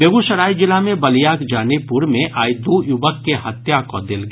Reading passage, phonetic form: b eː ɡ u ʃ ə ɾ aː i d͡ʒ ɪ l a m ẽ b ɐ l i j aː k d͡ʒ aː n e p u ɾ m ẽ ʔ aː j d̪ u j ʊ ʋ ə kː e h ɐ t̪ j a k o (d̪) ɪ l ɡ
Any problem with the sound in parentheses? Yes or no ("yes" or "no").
no